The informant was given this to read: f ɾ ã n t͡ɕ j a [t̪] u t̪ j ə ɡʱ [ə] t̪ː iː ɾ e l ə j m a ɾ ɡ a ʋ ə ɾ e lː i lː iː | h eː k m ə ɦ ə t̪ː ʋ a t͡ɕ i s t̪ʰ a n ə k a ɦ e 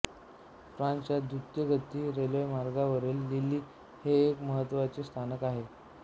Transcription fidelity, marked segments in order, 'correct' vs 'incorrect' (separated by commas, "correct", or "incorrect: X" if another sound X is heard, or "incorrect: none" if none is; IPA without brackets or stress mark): incorrect: d̪, correct